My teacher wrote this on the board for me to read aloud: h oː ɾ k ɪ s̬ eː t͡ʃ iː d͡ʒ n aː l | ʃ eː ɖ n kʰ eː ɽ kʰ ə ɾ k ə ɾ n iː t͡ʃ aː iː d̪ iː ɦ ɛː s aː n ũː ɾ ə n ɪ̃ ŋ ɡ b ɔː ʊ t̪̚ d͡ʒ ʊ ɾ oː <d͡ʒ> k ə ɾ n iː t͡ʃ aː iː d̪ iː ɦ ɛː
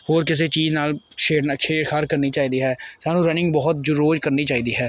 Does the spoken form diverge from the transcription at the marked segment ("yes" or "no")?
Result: no